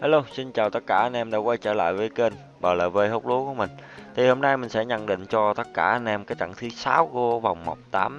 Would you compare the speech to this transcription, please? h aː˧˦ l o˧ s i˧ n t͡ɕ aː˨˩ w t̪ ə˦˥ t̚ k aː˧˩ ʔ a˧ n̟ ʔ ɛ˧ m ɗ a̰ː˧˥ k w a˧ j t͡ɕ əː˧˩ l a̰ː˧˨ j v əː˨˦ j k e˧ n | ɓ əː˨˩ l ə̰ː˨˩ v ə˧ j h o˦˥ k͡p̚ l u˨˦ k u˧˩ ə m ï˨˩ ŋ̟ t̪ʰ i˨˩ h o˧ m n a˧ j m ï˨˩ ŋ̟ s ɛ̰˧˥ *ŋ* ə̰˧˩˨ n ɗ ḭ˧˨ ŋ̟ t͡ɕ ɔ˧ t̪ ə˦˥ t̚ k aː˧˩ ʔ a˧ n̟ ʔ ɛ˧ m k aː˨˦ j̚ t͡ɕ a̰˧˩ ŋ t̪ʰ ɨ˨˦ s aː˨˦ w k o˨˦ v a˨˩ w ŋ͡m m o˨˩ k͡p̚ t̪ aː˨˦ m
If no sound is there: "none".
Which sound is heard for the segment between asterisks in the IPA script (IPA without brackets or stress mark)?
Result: ɲ